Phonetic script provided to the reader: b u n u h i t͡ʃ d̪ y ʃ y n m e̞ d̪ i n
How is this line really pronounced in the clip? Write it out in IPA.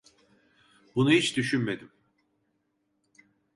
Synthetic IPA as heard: b u n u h i t͡ʃ d̪ y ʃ y n m e̞ d̪ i m